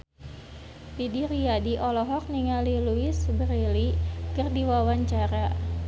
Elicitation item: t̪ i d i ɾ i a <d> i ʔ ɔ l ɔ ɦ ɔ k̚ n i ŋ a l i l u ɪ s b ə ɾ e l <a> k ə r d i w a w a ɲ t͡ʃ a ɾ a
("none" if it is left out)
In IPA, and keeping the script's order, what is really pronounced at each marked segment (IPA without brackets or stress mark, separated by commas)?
d, i